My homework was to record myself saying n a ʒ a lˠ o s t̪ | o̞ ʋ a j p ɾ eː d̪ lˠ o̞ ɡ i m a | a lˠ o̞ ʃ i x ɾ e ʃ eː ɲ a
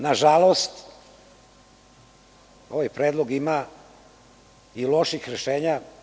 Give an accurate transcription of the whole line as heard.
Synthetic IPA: n a ʒ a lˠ o s t̪ | o̞ ʋ a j p ɾ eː d̪ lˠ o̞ ɡ i m a | i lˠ o̞ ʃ i x ɾ e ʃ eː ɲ a